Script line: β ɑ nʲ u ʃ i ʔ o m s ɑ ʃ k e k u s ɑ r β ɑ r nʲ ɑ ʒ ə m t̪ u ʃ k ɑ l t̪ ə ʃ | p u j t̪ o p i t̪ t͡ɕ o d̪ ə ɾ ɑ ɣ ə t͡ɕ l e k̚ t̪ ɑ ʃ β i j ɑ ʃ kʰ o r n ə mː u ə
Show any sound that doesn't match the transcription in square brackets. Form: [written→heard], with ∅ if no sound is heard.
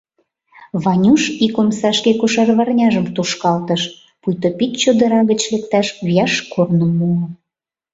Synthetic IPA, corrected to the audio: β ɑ nʲ u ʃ i [ʔ→k] o m s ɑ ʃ k e k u [s→ʃ] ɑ r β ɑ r nʲ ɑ ʒ ə m t̪ u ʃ k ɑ l t̪ ə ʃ | p u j t̪ o p i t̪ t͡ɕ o d̪ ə ɾ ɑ ɣ ə t͡ɕ l e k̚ t̪ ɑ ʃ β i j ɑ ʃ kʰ o r n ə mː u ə